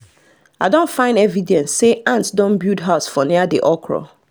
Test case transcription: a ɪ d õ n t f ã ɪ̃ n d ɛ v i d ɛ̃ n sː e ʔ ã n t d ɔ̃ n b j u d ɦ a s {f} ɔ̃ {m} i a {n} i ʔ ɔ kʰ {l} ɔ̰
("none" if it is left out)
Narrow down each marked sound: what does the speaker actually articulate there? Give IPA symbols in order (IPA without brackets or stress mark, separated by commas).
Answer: f, n, d, ɹ